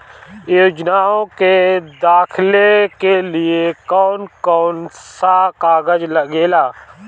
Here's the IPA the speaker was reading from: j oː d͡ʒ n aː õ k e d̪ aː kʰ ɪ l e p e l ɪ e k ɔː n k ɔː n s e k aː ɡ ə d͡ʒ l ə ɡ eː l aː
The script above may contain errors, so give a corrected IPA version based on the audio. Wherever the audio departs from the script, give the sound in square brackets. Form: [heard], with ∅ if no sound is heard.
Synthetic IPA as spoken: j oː d͡ʒ n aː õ k e d̪ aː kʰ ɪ l e [k] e l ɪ e k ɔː n k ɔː n s [a] k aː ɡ ə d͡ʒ l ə ɡ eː l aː